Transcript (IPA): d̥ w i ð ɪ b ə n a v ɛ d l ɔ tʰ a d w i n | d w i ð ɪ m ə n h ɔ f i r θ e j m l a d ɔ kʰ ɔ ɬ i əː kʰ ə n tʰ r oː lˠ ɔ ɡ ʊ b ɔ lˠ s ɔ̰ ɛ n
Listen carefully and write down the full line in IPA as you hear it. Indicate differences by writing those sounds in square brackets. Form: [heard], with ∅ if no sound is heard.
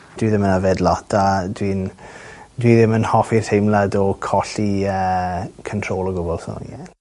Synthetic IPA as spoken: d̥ w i ð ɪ [m] ə n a v ɛ d l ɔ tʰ a d w i n | d w i ð ɪ m ə n h ɔ f i r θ e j m l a d ɔ kʰ ɔ ɬ i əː kʰ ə n tʰ r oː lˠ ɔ ɡ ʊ b ɔ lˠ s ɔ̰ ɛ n